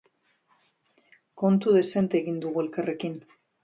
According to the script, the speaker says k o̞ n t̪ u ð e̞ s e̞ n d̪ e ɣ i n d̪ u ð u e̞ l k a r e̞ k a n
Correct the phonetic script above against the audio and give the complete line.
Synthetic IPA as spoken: k o̞ n t̪ u ð e̞ s e̞ n t̪ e ɣ i n d̪ u ɣ u e̞ l k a r e̞ k i n